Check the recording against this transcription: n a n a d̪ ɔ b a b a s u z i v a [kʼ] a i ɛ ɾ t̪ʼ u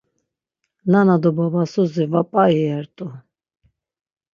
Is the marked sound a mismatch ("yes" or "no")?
yes